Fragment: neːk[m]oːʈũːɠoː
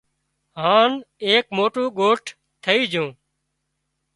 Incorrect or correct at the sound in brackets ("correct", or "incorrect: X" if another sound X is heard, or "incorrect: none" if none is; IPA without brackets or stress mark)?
correct